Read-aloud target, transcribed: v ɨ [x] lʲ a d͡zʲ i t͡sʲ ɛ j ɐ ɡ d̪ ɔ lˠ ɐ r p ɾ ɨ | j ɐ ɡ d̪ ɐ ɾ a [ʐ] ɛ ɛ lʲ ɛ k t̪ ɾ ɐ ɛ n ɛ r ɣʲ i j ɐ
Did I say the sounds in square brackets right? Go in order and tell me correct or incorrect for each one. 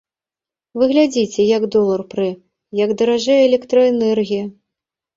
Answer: incorrect: ɣ, correct

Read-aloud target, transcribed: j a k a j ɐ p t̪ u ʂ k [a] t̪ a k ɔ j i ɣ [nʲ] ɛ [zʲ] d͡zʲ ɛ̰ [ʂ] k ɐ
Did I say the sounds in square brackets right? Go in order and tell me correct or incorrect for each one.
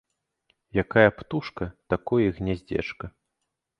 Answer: incorrect: ɐ, correct, correct, incorrect: t͡ʂ

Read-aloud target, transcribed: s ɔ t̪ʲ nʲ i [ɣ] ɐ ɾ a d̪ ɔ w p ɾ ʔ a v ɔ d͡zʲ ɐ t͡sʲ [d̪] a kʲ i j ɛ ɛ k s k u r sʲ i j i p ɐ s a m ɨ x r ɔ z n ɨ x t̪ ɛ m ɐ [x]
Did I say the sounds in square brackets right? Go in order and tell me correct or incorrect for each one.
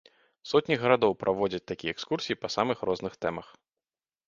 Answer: correct, incorrect: t̪, correct

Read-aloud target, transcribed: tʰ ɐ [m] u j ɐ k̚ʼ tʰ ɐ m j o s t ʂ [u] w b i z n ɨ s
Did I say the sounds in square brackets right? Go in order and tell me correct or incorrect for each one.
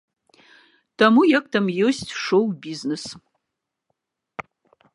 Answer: correct, incorrect: o

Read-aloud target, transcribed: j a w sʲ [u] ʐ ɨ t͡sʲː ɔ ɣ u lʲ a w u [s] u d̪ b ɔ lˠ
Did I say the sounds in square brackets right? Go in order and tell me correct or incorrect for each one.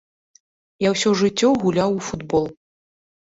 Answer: incorrect: ɔ, incorrect: f

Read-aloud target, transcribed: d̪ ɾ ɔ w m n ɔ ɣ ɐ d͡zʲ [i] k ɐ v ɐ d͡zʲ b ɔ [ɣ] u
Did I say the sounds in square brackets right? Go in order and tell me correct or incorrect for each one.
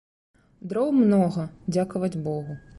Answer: incorrect: a, correct

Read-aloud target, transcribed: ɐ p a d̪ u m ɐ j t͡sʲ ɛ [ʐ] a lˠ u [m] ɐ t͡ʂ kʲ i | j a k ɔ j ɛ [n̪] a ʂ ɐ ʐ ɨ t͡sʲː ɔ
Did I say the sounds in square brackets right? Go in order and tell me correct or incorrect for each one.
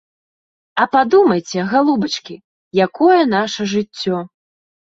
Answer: incorrect: ɣ, incorrect: b, correct

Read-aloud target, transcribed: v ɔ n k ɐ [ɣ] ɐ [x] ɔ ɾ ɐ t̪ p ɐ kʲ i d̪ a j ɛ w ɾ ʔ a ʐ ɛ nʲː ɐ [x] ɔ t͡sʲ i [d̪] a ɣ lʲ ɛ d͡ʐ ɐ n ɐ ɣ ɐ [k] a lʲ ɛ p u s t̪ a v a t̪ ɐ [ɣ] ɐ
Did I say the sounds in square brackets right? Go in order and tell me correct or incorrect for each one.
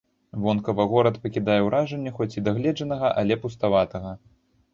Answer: incorrect: v, incorrect: ɣ, correct, correct, incorrect: ʔ, correct

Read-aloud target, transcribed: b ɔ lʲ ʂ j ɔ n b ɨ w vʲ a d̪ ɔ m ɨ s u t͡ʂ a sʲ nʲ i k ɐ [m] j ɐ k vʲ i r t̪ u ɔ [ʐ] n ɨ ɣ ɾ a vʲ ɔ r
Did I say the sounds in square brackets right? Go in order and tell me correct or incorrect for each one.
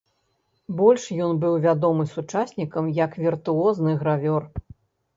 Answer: correct, incorrect: z

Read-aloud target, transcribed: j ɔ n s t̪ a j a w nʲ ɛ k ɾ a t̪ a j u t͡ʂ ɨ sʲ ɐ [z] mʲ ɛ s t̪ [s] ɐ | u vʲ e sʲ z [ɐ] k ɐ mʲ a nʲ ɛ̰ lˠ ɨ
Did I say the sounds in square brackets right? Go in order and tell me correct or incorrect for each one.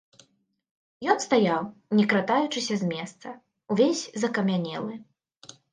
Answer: correct, correct, correct

